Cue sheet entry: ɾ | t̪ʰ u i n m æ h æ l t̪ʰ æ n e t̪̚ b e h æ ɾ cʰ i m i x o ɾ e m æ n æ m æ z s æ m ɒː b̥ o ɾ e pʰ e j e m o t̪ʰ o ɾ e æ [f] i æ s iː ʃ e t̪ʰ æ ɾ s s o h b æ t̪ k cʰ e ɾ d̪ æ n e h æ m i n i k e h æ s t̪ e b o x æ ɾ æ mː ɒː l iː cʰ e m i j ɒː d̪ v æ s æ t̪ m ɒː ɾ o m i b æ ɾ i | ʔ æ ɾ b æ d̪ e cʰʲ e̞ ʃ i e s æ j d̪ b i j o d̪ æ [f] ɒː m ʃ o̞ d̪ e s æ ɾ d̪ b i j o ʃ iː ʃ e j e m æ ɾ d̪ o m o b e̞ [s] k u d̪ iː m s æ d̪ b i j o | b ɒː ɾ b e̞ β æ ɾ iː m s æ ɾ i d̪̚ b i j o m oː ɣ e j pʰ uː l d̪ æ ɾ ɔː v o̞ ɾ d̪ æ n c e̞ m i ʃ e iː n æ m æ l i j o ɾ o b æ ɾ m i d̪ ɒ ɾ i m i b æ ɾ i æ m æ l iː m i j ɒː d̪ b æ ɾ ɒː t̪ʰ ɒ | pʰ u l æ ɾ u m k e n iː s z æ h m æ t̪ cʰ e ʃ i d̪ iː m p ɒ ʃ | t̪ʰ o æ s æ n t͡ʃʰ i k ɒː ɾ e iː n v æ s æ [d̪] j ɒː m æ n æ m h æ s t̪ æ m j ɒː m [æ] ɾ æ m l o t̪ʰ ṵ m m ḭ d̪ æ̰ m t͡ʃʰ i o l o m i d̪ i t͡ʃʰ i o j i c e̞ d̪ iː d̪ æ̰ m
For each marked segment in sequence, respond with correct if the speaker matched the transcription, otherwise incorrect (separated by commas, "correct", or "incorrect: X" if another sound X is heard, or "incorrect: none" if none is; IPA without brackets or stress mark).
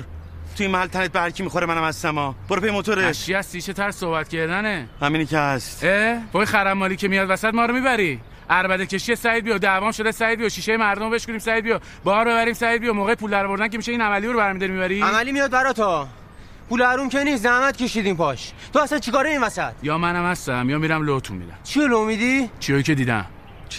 incorrect: ʃ, incorrect: v, incorrect: ʃ, incorrect: t̪, incorrect: i